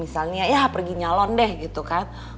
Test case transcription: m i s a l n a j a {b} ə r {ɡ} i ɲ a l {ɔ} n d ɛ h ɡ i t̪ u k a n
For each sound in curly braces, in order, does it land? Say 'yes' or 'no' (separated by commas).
no, yes, yes